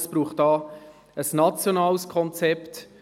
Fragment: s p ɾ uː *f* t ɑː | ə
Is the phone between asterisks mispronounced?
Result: yes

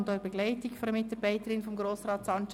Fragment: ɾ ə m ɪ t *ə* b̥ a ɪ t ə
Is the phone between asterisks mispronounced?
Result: yes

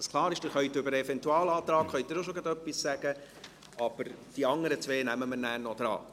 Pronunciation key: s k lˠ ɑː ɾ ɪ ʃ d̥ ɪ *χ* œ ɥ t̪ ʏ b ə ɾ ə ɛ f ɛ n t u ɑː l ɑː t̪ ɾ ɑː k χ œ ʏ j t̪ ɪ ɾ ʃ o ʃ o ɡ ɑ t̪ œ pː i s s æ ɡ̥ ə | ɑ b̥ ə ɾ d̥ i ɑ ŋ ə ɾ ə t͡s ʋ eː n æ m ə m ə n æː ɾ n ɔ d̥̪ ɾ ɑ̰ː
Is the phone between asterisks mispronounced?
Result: no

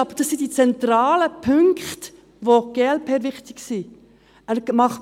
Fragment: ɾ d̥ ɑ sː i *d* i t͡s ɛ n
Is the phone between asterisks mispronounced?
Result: no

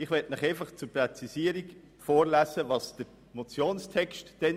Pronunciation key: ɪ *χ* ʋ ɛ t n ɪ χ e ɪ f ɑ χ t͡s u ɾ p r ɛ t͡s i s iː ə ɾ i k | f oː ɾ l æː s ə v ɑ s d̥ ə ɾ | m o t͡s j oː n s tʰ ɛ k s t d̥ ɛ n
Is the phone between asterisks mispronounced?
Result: no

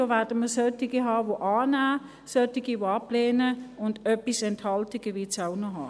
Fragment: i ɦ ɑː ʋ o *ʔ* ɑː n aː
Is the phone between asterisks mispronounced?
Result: no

